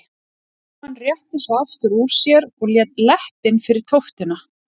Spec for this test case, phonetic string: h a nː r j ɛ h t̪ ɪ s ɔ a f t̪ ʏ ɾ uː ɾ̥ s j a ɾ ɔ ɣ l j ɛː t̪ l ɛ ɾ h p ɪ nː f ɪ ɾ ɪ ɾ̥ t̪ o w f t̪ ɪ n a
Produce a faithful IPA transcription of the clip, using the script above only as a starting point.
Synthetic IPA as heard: h a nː r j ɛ h t̪ ɪ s ɔ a f t̪ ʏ ɾ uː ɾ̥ s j ɛ ɾ ɔ ɣ l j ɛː t̪ l ɛ h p ɪ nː f ɪ ɾ ɪ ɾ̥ t̪ʰ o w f t̪ ɪ n a